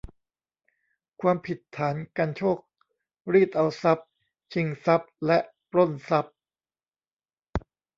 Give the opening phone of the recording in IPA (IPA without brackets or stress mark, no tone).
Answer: kʰ